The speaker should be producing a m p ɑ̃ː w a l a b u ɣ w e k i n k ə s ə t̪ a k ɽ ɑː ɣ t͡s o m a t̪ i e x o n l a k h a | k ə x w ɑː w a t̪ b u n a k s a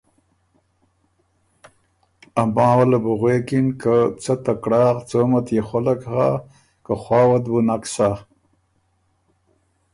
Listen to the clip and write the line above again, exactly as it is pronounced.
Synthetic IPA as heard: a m b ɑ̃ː w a l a b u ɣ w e k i n k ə t͡s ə t̪ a k ɽ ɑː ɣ t͡s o m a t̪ j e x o l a k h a | k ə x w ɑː w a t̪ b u n a k s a